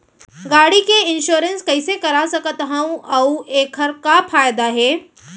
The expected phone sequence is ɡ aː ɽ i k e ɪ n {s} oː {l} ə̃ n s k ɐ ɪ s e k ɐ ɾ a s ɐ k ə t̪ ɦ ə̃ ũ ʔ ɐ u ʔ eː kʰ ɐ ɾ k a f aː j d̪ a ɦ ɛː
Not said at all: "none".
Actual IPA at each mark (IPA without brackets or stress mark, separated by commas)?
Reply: ʃ, ɾ